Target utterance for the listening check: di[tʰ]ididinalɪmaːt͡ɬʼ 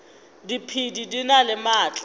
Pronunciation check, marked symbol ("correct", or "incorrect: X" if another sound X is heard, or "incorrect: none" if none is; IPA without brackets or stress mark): incorrect: pʰ